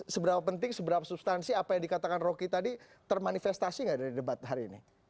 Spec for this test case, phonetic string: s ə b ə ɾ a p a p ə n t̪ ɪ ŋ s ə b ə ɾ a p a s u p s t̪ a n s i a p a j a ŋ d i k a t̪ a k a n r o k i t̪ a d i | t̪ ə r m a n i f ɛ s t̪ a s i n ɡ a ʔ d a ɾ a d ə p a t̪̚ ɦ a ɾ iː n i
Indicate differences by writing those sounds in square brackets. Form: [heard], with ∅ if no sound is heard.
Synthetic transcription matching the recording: s ə b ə ɾ a p a p ə n t̪ ɪ ŋ s ə b ə ɾ a p a s u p s t̪ a n s i a p a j a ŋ d i k a t̪ a k a n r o k i t̪ a d i | t̪ ə r m a n i f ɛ s t̪ a s i [ŋ] ɡ a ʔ d a ɾ [i] d ə [b] a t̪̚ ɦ a ɾ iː n i